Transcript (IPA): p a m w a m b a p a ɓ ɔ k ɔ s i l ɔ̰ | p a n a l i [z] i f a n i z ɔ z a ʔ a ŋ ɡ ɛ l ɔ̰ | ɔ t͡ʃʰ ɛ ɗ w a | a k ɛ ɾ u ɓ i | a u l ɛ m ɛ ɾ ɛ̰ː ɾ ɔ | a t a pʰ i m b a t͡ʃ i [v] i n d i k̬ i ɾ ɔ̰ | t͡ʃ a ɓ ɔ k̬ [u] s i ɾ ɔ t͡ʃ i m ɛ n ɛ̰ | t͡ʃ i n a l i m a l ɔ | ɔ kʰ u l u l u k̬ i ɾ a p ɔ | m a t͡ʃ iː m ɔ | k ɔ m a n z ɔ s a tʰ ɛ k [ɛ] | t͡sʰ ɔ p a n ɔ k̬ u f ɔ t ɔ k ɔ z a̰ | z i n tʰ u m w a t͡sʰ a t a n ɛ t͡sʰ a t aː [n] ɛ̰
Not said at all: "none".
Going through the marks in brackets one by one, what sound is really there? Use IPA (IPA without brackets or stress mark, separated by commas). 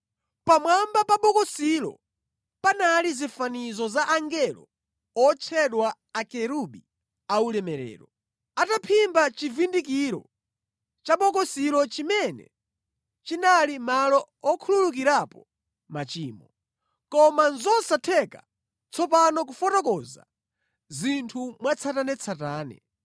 z, v, ɔ, a, n